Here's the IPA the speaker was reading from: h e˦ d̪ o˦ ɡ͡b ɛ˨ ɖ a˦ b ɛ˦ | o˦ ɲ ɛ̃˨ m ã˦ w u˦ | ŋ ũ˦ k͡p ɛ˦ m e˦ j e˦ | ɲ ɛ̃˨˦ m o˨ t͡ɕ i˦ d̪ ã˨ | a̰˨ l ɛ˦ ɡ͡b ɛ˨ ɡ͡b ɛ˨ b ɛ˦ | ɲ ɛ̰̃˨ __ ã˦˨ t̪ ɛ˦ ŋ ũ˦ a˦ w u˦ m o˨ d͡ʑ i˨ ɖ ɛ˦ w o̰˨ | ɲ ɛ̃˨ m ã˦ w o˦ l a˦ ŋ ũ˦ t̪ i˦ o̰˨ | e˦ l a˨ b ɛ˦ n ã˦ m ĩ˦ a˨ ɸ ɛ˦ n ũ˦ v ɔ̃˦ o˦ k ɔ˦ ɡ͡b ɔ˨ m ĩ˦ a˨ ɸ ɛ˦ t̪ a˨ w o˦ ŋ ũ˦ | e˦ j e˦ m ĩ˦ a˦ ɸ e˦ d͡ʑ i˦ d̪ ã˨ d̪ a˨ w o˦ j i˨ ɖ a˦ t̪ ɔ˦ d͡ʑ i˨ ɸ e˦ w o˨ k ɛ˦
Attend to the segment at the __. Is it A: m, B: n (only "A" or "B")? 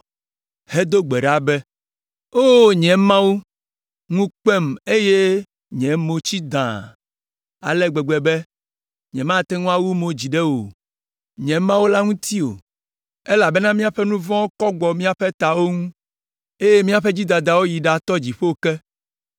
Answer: A